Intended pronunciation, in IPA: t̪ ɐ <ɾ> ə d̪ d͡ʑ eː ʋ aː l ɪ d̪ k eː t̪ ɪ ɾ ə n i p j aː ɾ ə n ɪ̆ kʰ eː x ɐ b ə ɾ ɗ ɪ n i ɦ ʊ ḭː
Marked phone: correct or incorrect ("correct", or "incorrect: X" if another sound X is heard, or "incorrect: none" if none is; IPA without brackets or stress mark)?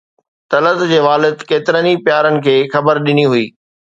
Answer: incorrect: l